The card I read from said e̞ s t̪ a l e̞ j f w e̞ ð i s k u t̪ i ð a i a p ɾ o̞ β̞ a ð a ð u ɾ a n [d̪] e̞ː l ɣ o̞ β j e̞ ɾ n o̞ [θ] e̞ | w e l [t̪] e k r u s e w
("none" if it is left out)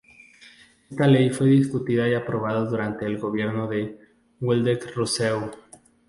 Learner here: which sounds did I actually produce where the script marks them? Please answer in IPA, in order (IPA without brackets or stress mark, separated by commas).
t̪, ð, d̪